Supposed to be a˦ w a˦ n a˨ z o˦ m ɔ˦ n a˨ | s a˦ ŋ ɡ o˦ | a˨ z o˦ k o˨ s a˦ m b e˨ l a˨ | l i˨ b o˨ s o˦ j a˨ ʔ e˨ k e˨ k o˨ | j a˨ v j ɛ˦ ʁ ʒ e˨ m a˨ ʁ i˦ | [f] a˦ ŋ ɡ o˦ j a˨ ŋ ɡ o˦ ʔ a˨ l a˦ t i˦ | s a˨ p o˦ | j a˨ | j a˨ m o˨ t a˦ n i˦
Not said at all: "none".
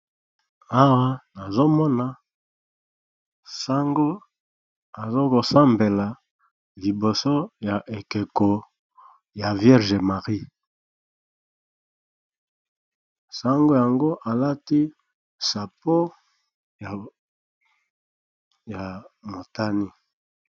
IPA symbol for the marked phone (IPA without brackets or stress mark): s